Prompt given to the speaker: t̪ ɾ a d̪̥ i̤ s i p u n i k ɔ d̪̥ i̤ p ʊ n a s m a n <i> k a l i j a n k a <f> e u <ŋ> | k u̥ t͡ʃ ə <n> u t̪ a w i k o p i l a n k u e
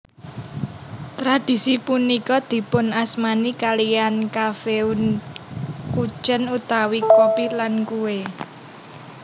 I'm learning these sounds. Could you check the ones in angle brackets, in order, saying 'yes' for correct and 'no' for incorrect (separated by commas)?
yes, yes, no, yes